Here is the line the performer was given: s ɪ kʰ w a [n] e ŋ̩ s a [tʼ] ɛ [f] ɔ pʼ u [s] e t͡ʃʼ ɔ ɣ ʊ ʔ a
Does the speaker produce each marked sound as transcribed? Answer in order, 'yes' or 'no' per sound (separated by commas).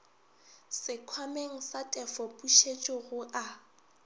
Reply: no, yes, yes, no